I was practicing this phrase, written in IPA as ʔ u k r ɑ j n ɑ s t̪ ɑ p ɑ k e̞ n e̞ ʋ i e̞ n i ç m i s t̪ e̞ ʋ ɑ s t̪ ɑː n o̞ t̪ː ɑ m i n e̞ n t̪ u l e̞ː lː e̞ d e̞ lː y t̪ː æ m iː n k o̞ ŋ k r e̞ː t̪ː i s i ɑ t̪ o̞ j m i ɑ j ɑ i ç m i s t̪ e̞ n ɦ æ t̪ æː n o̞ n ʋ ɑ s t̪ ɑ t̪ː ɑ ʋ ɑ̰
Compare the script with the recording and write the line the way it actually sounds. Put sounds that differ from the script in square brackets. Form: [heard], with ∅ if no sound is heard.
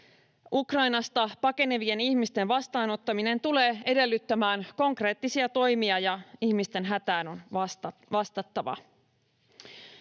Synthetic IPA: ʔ u k r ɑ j n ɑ s t̪ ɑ p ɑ k e̞ n e̞ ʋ i e̞ n i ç m i s t̪ e̞ ʋ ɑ s t̪ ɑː n o̞ t̪ː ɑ m i n e̞ n t̪ u l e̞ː [∅] e̞ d e̞ lː y t̪ː æ m [æː] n k o̞ ŋ k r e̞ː t̪ː i s i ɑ t̪ o̞ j m i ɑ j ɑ i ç m i s t̪ e̞ n ɦ æ t̪ æː n o̞ n ʋ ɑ s t̪ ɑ t̪ː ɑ ʋ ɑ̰